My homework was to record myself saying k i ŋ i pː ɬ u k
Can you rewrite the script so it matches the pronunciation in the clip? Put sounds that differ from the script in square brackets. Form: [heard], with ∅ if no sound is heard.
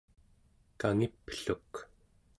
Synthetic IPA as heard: k [a] ŋ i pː ɬ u k